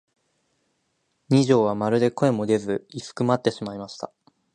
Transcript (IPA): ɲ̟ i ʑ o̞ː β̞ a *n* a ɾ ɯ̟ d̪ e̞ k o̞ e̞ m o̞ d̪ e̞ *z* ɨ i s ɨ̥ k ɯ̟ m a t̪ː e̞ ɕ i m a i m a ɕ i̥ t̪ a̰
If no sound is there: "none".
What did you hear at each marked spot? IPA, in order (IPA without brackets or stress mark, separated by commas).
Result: m, z